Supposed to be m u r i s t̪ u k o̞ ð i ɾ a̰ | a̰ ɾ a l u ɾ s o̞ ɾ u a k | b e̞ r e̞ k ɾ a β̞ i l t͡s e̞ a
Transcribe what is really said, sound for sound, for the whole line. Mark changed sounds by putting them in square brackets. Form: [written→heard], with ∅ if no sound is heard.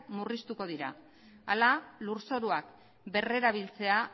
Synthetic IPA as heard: m u r i s t̪ u k o̞ ð i ɾ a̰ | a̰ [ɾ→l] a l u ɾ s o̞ ɾ u a k | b e̞ r e̞ [k→∅] ɾ a β̞ i l t͡s e̞ a